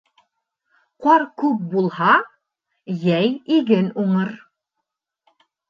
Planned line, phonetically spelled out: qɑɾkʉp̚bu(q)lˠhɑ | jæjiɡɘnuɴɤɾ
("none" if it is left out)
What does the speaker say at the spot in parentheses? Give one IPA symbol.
none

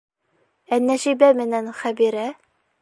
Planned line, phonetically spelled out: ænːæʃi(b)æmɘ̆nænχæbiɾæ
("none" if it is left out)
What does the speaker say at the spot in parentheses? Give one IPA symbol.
b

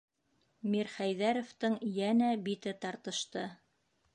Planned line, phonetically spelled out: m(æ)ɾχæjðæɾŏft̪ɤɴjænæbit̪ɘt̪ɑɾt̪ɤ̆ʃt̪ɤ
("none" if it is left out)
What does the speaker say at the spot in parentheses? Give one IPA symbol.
i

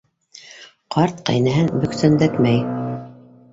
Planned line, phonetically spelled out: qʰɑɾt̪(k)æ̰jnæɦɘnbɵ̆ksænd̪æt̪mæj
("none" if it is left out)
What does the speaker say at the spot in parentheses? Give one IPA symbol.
q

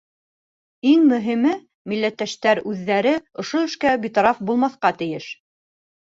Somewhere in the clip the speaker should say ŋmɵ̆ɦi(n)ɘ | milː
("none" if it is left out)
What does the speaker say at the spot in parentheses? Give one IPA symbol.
m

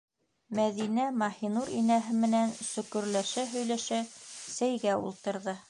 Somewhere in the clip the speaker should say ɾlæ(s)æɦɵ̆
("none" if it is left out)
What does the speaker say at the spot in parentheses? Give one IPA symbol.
ʃ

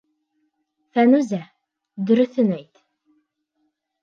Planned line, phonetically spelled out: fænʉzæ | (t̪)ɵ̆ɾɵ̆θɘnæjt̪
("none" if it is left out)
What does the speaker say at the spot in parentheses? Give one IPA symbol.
d̪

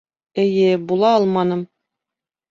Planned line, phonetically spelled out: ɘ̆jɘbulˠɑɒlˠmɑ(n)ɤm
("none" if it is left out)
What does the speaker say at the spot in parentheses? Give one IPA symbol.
n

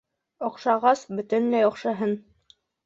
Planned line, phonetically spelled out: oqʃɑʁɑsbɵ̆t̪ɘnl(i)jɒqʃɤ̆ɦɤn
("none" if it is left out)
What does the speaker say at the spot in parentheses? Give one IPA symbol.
æ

